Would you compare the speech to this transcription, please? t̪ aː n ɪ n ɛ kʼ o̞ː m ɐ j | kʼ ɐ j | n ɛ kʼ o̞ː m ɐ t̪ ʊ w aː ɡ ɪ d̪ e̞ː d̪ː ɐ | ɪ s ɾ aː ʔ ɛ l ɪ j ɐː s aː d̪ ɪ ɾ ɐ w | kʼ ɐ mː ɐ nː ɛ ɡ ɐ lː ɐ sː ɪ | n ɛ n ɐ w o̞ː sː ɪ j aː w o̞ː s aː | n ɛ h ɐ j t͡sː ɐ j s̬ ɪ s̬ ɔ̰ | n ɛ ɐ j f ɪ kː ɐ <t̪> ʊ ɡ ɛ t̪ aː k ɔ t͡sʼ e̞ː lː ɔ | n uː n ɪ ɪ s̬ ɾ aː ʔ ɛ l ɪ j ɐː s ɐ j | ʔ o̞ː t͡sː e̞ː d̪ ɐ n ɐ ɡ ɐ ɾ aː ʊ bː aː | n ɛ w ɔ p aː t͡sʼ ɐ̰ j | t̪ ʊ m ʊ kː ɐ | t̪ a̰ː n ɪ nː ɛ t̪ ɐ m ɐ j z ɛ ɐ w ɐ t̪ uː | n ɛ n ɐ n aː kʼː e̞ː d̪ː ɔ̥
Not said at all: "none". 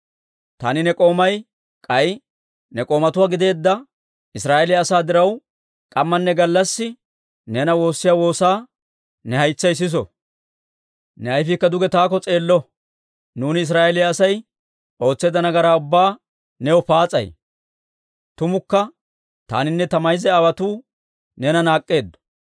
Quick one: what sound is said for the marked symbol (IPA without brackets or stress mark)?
d̪